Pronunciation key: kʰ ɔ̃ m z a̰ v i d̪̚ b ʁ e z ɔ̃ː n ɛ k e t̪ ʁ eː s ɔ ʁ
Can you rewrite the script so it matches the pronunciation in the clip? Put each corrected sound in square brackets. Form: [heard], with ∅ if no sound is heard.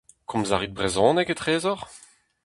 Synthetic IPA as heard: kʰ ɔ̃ m z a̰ [ʁ] i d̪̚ b ʁ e z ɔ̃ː n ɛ k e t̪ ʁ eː [z] ɔ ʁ